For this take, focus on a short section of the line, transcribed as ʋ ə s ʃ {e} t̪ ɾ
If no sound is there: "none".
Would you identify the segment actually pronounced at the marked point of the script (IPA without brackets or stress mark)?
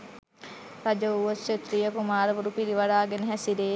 e